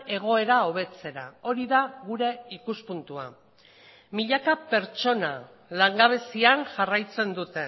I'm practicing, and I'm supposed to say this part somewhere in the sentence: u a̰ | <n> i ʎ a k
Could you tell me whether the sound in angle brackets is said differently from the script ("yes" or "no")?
yes